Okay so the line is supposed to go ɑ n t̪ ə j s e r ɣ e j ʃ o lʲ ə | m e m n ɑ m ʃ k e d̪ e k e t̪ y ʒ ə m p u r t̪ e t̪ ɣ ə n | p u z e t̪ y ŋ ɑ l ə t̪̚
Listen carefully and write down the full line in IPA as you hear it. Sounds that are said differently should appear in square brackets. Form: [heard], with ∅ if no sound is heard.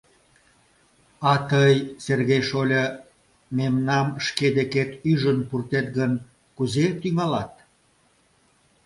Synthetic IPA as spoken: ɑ [∅] t̪ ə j s e r ɣ e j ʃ o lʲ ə | m e m n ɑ m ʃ k e d̪ e k e t̪ y ʒ ə [n] p u r t̪ e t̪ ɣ ə n | [k] u z e t̪ y ŋ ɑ l [ɑ] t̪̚